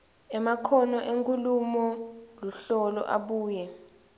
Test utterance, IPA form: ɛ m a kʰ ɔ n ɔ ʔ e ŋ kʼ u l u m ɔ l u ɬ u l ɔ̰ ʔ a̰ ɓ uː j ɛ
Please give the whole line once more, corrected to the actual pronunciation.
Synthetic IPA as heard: ɛ m a kʰ ɔ n ɔ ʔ e ŋ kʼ u l u m ɔ l u ɬ ɔ l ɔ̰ ʔ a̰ ɓ uː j ɛ